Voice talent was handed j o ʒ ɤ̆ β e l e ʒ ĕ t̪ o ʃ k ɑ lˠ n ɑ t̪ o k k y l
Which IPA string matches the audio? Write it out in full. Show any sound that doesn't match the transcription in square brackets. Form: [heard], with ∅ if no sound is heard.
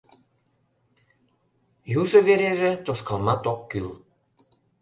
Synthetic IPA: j [u] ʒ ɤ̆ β e [ɾ] e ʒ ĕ t̪ o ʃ k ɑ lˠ [m] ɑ t̪ o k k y l